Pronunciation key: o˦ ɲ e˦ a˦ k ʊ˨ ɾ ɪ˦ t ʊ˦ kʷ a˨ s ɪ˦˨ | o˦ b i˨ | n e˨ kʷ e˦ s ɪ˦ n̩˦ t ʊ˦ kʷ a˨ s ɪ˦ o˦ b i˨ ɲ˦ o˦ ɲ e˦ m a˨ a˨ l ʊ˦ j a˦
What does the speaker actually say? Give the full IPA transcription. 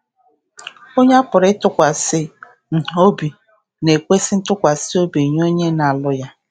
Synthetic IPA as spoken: o˦ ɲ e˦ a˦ p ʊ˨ ɾ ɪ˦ t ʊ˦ kʷ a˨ s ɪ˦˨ | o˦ b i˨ | n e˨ kʷ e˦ s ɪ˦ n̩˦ t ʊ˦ kʷ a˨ s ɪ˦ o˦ b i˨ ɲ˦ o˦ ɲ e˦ n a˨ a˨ l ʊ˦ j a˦